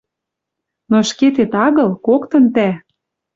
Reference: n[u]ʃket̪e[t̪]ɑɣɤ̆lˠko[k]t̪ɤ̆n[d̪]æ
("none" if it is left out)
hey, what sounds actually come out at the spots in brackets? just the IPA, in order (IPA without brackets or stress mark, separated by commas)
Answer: o, t̪, k, t̪